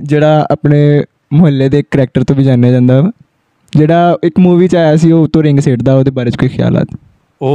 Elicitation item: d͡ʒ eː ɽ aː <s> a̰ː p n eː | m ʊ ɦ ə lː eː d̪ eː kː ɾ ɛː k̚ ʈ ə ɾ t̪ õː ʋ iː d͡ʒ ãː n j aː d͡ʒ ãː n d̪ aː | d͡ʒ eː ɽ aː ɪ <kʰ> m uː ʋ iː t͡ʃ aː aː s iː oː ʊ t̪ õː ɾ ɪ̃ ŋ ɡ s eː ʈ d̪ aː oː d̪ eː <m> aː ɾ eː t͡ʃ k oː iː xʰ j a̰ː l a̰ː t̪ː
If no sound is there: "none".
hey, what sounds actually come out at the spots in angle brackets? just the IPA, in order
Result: none, k, b

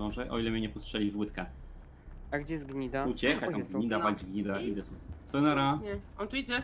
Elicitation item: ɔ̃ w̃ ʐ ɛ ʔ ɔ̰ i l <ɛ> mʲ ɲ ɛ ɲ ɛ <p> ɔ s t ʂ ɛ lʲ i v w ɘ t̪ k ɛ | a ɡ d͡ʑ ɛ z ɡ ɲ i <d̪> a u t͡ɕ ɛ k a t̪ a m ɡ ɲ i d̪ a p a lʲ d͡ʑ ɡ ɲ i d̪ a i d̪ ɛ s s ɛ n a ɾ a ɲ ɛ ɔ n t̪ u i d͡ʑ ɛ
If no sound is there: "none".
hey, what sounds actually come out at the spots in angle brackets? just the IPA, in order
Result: ɛ, p, d̪

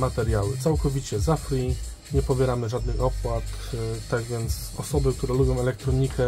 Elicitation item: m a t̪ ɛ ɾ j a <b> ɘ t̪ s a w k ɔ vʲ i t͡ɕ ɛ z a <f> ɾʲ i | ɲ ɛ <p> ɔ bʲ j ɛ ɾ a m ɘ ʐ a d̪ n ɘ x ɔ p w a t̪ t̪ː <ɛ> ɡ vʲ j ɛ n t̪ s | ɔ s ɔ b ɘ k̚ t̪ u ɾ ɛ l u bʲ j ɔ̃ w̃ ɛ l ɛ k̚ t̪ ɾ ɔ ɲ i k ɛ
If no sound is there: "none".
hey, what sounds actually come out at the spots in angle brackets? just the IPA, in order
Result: w, f, p, a

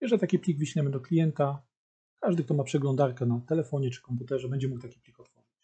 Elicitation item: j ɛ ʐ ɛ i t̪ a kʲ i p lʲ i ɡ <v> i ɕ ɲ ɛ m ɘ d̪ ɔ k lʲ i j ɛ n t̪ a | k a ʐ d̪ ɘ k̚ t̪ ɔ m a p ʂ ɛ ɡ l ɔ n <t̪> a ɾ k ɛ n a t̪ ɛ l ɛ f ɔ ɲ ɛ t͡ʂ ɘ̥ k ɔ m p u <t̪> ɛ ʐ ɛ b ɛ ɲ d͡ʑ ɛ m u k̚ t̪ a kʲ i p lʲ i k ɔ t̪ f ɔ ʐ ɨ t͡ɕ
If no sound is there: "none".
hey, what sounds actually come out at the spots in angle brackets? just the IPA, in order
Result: v, d̪, t̪

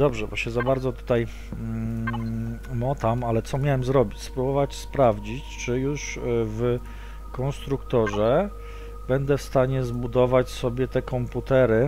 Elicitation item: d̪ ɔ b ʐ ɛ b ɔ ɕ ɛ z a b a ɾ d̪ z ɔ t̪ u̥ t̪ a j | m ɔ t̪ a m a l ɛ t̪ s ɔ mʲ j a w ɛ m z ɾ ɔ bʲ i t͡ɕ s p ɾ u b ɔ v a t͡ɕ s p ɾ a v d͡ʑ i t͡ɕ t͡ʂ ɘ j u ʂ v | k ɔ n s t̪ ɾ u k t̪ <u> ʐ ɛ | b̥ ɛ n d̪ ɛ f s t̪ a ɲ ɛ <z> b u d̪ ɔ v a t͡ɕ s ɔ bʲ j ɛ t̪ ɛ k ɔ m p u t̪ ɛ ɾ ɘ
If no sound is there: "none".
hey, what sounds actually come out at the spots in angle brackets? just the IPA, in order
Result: ɔ, z

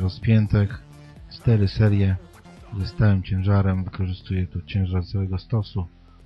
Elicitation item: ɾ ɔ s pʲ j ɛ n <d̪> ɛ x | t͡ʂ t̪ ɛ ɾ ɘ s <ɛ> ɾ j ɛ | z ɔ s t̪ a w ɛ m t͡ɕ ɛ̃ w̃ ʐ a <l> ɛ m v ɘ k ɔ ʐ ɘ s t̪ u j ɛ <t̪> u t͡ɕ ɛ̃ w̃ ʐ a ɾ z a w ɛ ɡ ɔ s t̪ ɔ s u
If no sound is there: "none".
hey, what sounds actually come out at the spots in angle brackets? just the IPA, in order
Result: t̪, ɛ, ɾ, t̪

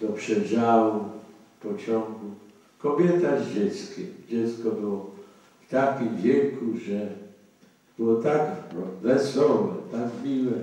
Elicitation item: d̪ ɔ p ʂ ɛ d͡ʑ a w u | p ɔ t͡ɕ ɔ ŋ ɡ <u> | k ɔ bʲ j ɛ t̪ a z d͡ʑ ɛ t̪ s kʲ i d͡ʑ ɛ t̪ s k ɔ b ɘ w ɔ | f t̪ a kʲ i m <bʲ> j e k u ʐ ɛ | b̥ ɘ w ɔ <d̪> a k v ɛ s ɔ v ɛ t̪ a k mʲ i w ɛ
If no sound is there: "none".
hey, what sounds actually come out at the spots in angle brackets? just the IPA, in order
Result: u, vʲ, t̪

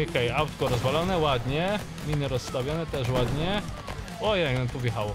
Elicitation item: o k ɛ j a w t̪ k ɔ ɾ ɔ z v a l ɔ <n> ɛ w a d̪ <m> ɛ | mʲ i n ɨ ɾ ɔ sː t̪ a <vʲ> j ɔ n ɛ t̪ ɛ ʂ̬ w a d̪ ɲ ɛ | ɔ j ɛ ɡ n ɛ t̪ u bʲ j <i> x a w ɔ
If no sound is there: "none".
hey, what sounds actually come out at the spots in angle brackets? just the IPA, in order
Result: n, ɲ, vʲ, ɛ

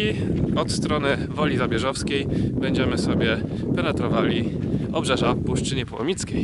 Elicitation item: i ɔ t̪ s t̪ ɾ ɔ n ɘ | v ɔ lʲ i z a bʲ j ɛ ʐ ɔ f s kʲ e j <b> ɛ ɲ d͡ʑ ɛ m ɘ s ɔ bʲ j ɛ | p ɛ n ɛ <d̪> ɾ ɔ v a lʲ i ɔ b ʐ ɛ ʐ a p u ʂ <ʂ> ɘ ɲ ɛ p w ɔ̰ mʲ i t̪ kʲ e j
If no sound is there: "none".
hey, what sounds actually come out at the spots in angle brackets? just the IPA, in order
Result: b, t̪, t͡ʂ

